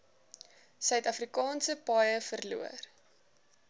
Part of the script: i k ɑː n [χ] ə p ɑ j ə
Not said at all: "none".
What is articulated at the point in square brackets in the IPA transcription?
s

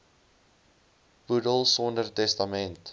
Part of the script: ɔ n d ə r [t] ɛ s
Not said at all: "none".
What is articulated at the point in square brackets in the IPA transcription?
t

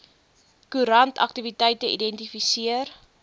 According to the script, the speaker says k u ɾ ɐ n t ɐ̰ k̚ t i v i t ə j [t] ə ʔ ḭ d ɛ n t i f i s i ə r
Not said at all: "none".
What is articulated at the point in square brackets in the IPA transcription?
t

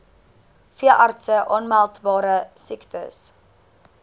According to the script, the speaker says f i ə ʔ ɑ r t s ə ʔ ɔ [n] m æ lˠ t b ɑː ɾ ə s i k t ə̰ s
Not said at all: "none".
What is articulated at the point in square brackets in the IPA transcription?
n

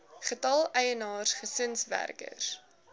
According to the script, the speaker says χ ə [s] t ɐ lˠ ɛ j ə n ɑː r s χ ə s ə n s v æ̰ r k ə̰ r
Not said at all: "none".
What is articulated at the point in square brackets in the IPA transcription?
none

